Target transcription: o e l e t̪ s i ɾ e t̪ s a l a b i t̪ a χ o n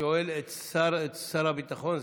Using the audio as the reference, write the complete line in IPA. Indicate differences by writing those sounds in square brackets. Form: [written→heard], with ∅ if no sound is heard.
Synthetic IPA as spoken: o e l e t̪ s [i→a] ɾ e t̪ s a [l→ɾ] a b i t̪ a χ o n